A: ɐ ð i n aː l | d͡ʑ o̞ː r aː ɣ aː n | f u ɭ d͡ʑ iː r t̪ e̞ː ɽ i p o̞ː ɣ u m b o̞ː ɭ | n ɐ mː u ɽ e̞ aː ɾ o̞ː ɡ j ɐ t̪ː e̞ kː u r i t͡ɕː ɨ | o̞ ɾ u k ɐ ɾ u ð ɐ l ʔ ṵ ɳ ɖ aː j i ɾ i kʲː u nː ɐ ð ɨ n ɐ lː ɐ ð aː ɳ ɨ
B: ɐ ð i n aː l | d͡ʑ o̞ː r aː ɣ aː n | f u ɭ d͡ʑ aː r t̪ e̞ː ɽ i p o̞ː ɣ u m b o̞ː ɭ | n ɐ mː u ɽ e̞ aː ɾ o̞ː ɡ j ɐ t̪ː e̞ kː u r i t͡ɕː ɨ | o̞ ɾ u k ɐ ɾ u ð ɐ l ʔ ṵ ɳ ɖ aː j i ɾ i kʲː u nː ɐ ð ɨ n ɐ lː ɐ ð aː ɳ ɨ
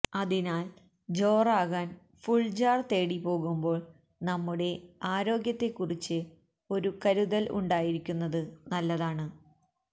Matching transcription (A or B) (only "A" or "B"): B